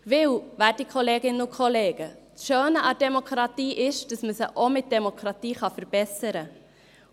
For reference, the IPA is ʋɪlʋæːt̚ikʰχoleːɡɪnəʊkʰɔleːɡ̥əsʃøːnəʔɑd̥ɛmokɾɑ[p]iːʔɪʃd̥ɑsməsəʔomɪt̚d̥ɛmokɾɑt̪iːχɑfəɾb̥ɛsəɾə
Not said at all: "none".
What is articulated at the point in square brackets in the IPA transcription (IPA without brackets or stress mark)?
t